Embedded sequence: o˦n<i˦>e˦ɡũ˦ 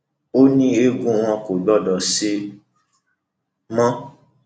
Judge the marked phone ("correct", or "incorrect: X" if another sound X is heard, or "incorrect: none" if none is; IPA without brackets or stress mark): incorrect: ĩ˦